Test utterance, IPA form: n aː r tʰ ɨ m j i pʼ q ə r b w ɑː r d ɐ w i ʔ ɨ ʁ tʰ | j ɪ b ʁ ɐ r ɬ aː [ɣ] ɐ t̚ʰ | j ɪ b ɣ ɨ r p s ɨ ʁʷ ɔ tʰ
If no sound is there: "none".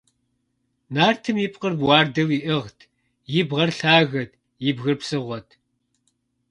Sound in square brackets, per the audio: ɣ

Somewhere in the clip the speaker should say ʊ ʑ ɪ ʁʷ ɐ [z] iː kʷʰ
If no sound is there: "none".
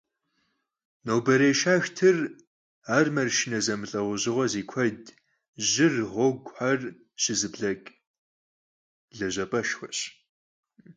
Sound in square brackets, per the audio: z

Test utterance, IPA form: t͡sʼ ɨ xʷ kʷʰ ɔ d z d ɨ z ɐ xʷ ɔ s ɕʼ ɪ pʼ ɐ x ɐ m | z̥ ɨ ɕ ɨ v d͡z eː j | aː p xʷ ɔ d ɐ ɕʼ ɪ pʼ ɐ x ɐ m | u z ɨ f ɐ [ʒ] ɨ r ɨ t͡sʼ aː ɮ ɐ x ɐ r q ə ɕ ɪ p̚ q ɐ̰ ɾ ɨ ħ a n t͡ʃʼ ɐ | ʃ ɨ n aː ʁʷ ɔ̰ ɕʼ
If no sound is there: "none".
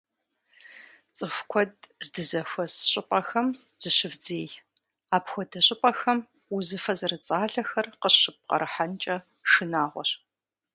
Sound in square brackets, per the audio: z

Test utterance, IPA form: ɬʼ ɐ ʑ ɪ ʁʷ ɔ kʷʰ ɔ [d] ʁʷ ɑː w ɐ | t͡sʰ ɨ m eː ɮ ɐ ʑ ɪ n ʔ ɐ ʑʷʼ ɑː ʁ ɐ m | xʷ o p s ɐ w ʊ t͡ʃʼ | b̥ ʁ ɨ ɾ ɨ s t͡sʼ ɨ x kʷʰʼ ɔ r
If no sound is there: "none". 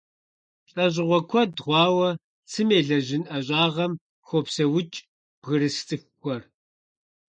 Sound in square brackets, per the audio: d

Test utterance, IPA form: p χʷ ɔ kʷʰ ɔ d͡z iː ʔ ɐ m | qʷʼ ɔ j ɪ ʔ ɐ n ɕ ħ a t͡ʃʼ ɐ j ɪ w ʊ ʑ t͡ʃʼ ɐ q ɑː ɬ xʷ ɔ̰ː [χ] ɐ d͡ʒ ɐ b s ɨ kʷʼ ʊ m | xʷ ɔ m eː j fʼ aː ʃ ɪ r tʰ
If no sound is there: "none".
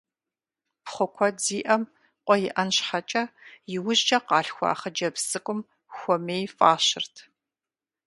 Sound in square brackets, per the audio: χ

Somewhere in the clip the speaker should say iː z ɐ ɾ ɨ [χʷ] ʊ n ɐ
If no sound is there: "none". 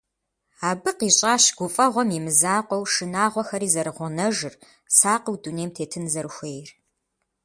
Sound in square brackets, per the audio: ʁʷ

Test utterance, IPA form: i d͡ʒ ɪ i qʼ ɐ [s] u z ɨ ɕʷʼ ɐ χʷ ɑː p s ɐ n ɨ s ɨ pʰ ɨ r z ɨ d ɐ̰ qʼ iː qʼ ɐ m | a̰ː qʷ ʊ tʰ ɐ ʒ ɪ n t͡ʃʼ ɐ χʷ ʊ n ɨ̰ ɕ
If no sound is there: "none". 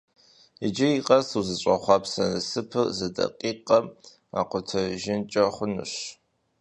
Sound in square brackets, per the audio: s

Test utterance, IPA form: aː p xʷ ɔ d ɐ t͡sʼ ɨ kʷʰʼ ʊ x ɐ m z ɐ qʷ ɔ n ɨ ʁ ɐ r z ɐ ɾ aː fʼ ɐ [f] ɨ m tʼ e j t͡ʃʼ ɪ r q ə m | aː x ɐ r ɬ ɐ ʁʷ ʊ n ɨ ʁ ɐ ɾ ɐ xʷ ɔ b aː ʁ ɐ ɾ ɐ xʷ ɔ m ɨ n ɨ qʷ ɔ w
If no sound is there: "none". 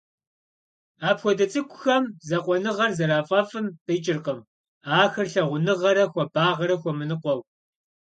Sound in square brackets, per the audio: f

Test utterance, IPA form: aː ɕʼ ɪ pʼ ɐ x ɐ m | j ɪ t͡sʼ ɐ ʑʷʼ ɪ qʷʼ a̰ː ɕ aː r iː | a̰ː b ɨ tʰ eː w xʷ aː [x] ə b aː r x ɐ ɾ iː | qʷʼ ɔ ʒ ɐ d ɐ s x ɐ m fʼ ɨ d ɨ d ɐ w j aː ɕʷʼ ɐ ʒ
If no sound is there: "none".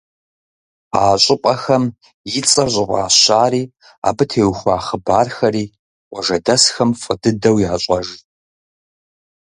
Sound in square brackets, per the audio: χ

